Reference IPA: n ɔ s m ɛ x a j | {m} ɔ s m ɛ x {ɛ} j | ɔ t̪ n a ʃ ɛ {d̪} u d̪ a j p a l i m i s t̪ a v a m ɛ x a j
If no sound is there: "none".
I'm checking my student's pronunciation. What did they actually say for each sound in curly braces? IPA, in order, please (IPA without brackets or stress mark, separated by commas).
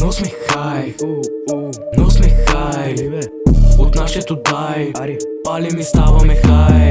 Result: n, a, t̪